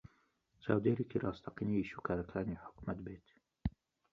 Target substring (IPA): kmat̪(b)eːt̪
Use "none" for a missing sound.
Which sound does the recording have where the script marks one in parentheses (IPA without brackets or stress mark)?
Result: b